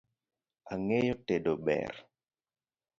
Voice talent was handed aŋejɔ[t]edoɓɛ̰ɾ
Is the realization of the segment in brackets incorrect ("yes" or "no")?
no